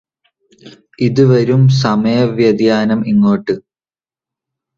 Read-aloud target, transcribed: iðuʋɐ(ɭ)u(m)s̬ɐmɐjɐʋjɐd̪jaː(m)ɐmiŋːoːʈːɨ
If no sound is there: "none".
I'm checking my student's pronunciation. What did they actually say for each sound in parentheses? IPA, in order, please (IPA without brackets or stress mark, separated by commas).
ɾ, m, n